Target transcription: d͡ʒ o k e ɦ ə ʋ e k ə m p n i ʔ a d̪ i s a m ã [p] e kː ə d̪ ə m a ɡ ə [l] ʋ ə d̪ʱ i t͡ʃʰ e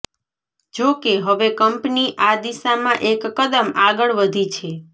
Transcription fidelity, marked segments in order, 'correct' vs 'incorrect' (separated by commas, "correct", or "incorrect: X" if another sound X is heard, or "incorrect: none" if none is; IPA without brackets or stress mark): incorrect: ʔ, incorrect: ɭ